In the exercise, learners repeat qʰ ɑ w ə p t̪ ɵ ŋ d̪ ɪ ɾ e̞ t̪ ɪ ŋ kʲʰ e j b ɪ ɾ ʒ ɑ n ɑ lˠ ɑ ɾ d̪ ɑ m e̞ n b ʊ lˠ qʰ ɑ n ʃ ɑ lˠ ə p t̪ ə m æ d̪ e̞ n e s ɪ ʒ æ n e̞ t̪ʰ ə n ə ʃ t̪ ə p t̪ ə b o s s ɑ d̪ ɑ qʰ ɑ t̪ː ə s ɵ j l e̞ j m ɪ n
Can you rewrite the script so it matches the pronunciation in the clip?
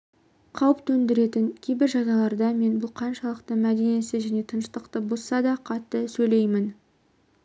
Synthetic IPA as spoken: qʰ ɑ w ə p t̪ ɵ n d̪ ɪ ɾ e̞ t̪ ɪ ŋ kʲʰ e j b ɪ ɾ ʒ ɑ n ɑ lˠ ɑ ɾ d̪ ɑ m e̞ n b ʊ lˠ qʰ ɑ n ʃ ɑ lˠ ə q t̪ ə m æ d̪ e̞ n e s ɪ ʒ æ n e̞ t̪ʰ ə n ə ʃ t̪ ə q t̪ ə b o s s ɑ d̪ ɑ qʰ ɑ t̪ː ə s ɵ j l e̞ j m ɪ n